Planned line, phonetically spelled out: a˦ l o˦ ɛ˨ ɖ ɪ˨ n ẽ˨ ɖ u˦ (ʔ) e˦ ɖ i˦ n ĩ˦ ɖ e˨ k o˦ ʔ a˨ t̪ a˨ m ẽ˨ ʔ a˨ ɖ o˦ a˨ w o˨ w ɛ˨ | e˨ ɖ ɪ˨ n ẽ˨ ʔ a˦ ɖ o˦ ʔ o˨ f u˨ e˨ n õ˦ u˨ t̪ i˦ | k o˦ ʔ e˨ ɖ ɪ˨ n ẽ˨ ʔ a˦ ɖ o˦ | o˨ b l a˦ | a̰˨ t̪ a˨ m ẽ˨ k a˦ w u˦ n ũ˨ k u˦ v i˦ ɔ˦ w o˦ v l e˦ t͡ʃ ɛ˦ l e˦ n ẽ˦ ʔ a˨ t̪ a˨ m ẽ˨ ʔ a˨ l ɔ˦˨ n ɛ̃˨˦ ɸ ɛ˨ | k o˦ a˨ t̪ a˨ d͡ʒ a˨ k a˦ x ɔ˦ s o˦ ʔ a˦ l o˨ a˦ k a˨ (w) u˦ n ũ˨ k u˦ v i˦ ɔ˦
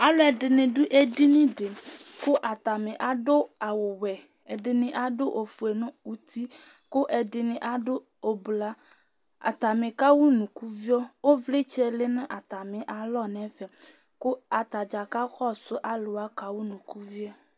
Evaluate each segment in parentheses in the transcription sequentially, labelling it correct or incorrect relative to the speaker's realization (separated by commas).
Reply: correct, correct